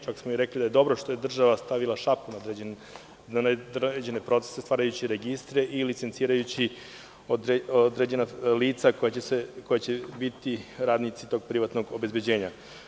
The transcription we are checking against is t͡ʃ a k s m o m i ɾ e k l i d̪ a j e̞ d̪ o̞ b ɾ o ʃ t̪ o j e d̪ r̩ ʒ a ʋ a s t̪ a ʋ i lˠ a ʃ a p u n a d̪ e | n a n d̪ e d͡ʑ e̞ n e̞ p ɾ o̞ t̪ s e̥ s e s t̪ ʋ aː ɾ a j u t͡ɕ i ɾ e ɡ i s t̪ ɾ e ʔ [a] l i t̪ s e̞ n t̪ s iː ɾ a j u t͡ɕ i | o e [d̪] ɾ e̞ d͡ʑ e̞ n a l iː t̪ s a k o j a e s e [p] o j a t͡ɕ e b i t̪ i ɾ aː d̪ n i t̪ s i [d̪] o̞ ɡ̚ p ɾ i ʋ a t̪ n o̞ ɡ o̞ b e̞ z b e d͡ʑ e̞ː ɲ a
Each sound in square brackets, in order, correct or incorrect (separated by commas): incorrect, correct, incorrect, incorrect